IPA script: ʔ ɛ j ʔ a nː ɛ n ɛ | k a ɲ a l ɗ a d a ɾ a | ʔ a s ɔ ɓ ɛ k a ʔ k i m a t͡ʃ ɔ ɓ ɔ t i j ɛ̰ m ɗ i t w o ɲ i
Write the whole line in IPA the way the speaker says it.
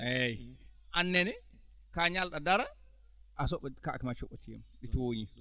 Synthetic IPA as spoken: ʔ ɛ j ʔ a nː ɛ n ɛ | k a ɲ a l ɗ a d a ɾ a | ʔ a s ɔ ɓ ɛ k a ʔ k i m a t͡ʃ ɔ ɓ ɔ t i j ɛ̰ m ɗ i t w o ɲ i